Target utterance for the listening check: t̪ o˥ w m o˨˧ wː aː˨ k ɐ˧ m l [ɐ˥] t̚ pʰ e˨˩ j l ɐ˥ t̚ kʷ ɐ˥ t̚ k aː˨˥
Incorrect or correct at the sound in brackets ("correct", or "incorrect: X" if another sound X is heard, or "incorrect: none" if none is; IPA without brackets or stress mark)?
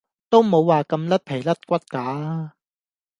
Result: correct